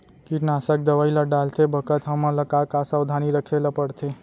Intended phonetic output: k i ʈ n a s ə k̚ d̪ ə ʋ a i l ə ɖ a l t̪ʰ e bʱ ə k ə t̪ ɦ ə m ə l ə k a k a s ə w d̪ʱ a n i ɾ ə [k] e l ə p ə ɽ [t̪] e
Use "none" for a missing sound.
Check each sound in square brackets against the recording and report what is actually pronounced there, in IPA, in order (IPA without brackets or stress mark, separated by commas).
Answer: kʰ, t̪ʰ